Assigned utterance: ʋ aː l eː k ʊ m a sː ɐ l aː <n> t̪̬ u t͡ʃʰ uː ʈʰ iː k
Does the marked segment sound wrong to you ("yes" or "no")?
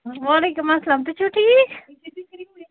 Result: yes